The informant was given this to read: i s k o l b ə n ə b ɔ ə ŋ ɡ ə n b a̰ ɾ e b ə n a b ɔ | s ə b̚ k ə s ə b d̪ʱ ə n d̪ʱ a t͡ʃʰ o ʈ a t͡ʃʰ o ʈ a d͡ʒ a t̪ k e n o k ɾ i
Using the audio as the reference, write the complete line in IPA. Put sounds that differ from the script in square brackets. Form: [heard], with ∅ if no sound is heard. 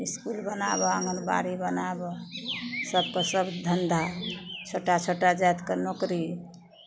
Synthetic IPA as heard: i s k [u] l b ə n [a] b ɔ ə ŋ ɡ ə n b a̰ ɾ [i] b ə n a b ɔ | s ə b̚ k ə s ə b d̪ʱ ə n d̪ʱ a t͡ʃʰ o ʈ a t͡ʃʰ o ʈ a d͡ʒ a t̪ k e n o k ɾ i